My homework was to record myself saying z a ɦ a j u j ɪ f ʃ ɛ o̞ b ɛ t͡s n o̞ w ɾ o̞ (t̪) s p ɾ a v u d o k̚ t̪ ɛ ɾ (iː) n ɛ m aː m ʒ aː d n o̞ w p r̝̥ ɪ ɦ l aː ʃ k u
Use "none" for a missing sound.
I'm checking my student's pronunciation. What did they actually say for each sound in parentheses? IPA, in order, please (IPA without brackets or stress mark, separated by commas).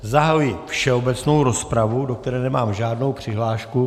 none, ɛː